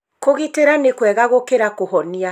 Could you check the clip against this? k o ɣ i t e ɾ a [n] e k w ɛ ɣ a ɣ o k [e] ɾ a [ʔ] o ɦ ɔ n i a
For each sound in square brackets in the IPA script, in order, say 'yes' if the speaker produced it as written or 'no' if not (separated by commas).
yes, yes, no